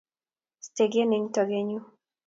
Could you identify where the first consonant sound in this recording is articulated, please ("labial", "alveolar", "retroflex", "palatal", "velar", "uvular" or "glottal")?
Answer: alveolar